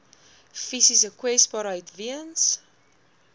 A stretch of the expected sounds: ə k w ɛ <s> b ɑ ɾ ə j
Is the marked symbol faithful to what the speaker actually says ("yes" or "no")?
yes